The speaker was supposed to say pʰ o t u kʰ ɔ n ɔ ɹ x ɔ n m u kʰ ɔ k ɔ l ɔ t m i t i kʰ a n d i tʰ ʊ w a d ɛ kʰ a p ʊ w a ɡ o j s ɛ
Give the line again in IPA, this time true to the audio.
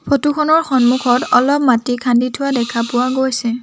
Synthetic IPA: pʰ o t u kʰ ɔ n ɔ ɹ x ɔ n m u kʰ ɔ t ɔ l ɔ p m a t i kʰ a n d i tʰ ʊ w a d ɛ kʰ a p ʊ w a ɡ o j s ɛ